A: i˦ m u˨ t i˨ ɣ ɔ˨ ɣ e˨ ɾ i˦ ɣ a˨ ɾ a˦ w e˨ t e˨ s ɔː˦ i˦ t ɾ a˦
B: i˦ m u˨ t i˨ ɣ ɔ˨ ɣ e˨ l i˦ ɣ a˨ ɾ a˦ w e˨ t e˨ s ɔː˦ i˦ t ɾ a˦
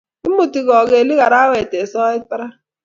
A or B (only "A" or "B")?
B